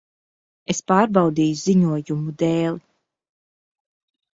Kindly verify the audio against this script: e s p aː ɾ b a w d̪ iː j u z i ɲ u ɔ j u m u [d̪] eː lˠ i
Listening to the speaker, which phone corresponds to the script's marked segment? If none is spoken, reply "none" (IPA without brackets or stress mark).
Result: d̪